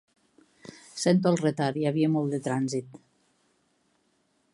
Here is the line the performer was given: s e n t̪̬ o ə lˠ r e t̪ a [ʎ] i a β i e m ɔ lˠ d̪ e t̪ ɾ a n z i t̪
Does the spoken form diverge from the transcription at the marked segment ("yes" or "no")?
yes